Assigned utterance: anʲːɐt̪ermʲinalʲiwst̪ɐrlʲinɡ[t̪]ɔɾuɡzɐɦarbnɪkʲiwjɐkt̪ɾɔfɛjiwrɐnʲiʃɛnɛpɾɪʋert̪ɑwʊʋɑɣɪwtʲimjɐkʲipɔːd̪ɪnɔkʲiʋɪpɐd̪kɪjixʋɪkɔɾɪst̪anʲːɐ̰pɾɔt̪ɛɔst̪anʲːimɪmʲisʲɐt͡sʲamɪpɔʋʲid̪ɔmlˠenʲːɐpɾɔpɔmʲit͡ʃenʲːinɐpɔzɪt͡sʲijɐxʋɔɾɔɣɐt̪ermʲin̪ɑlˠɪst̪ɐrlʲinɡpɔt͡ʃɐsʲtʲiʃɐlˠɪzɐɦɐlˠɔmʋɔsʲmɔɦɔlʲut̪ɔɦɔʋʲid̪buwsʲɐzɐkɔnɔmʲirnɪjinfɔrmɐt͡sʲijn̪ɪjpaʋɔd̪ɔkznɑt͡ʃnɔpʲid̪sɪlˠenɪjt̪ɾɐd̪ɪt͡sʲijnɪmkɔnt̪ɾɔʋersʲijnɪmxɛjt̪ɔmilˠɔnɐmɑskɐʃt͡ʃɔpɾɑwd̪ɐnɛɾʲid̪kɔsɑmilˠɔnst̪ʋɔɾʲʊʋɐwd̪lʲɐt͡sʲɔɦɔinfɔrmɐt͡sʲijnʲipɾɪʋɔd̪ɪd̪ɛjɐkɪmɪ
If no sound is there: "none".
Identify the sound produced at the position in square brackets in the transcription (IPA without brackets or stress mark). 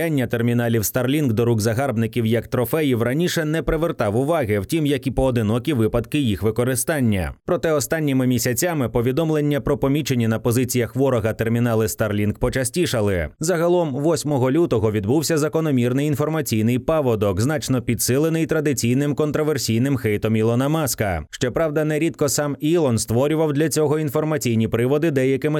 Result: d̪